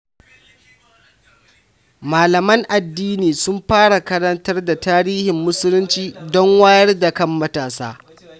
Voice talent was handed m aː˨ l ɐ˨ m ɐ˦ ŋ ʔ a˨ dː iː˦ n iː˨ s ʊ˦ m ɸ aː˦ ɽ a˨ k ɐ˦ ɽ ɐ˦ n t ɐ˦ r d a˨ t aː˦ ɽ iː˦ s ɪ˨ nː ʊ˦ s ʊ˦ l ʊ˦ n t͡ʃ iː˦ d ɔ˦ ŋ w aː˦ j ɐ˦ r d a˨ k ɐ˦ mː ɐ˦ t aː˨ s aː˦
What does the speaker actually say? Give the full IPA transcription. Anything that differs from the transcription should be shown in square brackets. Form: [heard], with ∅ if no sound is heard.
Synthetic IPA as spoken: m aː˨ l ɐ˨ m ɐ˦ ŋ ʔ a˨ dː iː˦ n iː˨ s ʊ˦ m ɸ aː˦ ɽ a˨ k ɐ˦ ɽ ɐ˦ n t ɐ˦ r d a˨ t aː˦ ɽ iː˦ [h] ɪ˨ [mː] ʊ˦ s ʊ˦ l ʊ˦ n t͡ʃ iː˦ d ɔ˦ ŋ w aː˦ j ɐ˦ r d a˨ k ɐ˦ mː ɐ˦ t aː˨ s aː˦